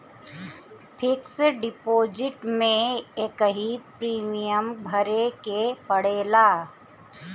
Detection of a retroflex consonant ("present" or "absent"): present